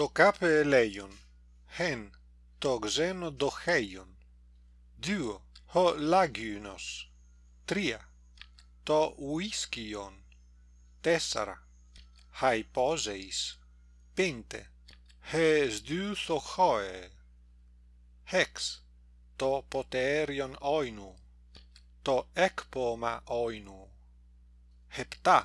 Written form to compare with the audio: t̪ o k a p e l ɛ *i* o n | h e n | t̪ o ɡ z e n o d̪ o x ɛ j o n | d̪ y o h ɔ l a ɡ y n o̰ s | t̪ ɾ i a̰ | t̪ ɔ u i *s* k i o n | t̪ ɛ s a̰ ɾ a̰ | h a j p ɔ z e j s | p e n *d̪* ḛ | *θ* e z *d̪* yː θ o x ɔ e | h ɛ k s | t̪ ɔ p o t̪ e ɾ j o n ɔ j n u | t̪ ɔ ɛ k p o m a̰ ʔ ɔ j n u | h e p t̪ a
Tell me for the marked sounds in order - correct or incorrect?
incorrect: j, correct, incorrect: t̪, incorrect: h, correct

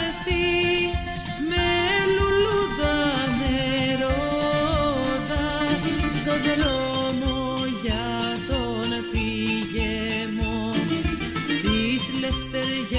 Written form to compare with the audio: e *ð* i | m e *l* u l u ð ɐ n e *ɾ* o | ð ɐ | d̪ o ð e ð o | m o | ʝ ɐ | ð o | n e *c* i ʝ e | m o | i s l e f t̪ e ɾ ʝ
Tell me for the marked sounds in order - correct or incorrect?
incorrect: θ, correct, correct, incorrect: p

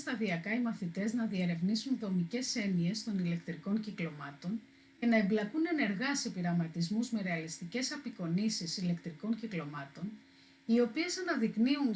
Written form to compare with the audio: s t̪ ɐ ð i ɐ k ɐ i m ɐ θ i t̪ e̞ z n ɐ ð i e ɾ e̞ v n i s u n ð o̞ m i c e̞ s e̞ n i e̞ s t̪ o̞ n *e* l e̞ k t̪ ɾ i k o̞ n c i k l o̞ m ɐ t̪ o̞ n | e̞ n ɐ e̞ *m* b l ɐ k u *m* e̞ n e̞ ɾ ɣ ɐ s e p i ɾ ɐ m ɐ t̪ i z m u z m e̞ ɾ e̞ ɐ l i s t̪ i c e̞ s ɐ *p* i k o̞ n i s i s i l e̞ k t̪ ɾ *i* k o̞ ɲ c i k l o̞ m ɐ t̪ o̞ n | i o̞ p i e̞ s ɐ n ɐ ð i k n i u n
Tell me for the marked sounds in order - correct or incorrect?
incorrect: i, correct, incorrect: n, correct, correct

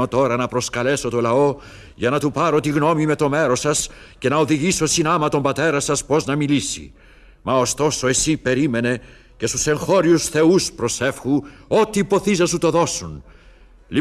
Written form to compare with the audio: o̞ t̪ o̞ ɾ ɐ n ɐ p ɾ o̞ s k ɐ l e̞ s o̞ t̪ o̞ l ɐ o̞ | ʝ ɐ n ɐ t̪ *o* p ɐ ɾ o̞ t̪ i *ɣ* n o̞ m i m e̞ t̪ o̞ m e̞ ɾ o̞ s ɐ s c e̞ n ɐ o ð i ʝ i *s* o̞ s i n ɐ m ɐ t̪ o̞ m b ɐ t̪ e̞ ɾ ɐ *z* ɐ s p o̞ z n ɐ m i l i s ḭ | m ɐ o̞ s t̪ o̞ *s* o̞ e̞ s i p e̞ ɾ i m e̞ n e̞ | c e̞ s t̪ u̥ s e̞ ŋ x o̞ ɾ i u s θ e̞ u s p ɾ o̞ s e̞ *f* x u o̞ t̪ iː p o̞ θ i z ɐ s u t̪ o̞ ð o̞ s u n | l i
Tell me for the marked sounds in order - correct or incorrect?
incorrect: u, correct, correct, incorrect: s, correct, correct

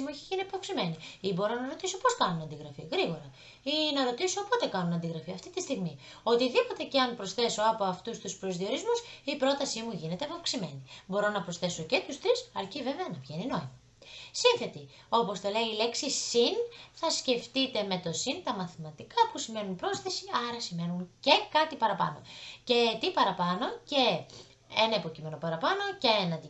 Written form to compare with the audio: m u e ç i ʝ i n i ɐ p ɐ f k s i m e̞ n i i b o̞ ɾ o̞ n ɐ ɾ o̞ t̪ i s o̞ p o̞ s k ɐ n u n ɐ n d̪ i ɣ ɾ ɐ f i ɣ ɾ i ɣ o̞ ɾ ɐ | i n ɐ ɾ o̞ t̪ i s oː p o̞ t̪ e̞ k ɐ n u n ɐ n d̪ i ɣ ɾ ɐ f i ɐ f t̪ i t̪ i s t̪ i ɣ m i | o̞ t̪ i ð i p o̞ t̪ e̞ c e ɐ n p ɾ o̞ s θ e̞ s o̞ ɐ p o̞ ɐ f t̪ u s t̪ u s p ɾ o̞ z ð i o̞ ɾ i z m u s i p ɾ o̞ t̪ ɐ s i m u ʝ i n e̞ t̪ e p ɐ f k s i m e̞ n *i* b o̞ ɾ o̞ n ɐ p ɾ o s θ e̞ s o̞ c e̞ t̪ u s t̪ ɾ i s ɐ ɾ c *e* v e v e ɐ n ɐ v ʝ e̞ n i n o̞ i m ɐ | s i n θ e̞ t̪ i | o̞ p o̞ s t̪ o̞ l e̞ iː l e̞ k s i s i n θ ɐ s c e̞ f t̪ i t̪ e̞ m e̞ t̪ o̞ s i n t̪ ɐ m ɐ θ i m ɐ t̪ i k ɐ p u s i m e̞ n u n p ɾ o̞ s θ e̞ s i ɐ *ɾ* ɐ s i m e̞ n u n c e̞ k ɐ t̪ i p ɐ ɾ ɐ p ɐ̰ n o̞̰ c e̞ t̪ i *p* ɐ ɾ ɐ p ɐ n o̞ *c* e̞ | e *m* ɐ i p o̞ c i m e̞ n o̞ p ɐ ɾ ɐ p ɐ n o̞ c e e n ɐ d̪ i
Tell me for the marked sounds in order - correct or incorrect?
correct, incorrect: i, correct, correct, correct, incorrect: n

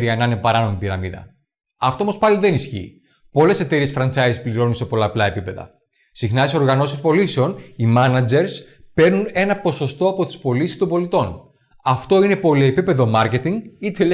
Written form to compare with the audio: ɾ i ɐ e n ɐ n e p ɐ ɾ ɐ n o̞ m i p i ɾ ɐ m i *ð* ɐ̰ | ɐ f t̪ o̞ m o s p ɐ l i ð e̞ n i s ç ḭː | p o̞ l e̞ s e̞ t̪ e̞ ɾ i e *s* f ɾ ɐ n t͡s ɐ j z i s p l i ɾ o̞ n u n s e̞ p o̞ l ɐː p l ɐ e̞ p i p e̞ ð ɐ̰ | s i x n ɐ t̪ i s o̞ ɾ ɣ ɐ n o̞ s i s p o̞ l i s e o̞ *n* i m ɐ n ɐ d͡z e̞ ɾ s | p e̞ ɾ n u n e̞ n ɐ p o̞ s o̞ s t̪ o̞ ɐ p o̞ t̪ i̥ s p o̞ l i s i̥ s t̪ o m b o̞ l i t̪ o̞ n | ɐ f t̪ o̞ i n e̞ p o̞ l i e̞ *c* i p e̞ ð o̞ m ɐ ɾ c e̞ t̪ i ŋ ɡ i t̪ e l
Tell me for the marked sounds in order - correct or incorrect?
correct, correct, correct, incorrect: p

